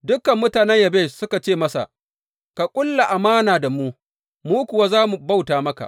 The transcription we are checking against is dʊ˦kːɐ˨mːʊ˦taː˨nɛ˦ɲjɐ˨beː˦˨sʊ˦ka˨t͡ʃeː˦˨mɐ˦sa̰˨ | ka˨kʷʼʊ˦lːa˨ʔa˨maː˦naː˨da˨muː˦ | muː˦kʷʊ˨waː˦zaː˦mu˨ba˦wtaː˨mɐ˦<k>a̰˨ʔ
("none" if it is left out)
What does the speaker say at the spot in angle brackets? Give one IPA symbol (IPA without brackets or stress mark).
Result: k